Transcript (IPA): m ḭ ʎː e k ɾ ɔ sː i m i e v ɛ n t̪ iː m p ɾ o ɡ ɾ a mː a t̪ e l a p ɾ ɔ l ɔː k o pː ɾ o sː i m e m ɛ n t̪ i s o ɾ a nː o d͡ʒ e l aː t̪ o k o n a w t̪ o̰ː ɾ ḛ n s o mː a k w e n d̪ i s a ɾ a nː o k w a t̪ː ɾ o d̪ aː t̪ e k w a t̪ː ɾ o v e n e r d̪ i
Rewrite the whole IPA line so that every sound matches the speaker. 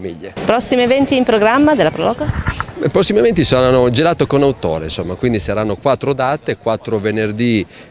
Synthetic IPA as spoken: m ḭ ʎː e p ɾ ɔ sː i m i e v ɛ n t̪ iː m p ɾ o ɡ ɾ a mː a d̪ e l a p ɾ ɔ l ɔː k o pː ɾ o sː i m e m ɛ n t̪ i s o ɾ a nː o d͡ʒ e l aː t̪ o k o n a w t̪ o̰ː ɾ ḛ n s o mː a k w i n d̪ i s a ɾ a nː o k w a t̪ː ɾ o d̪ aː t̪ e k w a t̪ː ɾ o v e n e r d̪ i